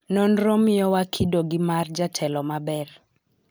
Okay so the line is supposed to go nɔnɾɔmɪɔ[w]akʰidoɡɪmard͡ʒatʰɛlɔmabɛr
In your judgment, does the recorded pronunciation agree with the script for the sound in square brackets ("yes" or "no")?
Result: yes